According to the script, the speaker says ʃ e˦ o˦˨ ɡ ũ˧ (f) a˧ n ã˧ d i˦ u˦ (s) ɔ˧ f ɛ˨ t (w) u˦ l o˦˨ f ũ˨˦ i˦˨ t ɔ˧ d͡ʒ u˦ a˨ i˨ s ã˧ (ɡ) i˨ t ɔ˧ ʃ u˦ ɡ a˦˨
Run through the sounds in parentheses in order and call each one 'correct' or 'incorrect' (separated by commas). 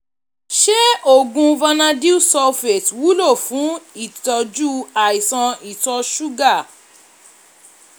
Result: incorrect, correct, correct, incorrect